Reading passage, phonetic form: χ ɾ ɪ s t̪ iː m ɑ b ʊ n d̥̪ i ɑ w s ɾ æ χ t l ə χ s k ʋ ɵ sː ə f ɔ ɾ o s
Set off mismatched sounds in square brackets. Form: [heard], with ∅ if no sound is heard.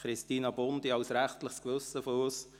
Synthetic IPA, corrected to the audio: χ ɾ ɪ s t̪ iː [n] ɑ b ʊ n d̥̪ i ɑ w s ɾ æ χ t l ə χ s k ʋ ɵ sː ə f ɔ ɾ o s